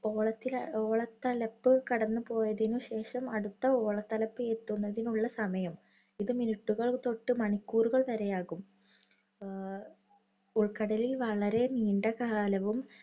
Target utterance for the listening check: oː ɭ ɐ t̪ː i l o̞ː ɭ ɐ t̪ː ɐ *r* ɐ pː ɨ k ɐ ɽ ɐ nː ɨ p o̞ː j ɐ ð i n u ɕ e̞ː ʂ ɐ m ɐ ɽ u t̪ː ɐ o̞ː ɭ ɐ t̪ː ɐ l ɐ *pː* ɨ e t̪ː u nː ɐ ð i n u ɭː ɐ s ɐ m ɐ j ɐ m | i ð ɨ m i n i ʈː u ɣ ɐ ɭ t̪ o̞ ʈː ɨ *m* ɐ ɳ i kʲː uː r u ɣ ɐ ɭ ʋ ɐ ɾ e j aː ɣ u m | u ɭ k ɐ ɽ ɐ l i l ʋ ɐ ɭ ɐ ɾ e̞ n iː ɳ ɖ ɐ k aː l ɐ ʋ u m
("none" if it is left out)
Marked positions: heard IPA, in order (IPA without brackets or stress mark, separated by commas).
l, pː, m